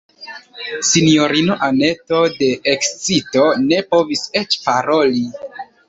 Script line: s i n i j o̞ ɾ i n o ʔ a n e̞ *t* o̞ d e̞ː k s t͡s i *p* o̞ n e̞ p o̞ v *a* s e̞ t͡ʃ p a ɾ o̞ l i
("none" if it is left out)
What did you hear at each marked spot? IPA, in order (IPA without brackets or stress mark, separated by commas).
t, t, i